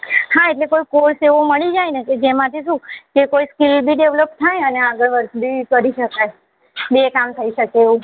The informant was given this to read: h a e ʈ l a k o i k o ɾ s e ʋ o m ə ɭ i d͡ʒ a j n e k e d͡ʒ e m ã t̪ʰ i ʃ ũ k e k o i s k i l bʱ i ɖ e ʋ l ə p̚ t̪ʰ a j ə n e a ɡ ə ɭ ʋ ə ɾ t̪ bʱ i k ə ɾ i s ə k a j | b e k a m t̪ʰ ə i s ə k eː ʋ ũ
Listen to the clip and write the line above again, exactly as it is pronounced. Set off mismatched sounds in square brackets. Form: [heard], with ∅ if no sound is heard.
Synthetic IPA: h a e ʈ l [e] k o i k o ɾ s e ʋ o m ə ɭ i d͡ʒ a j n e k e d͡ʒ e m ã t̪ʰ i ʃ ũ k e k o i s k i l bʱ i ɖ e ʋ l ə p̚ t̪ʰ a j ə n e a ɡ ə ɭ ʋ ə ɾ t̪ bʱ i k ə ɾ i [ʃ] ə k a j | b e k a m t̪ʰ ə i [ʃ] ə k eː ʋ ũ